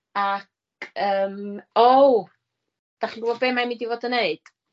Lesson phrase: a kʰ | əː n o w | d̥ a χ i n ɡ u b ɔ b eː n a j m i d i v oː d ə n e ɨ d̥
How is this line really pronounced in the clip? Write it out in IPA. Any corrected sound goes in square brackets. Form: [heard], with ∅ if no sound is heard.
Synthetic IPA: a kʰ | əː [m] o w | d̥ a χ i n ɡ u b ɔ b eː [m] a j m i d i v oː d ə n e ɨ d̥